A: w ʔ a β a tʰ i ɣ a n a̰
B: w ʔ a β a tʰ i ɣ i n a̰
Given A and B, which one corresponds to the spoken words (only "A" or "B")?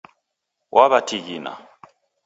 B